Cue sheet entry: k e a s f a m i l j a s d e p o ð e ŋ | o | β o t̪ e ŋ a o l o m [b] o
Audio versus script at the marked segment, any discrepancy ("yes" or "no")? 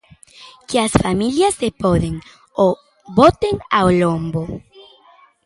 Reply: no